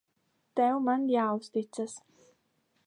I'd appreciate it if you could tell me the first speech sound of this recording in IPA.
t̪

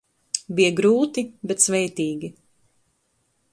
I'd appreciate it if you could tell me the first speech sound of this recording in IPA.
b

